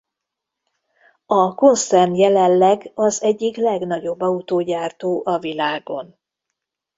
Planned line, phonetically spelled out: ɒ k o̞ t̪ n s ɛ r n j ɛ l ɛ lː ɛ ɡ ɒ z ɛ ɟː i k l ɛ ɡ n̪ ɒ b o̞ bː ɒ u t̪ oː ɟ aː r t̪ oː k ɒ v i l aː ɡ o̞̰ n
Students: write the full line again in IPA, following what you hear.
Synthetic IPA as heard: ɒ k o̞ n s ɛ r n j ɛ l ɛ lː ɛ ɡ ɒ z ɛ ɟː i k l ɛ ɡ n̪ ɒ ɟ o̞ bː ɒ u t̪ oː ɟ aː r t̪ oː ʔ ɒ v i l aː ɡ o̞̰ n